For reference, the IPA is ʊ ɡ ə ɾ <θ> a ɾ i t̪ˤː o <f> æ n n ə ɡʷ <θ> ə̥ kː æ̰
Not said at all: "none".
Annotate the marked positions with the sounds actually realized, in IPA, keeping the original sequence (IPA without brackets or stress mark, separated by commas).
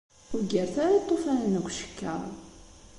θ, f, ʃ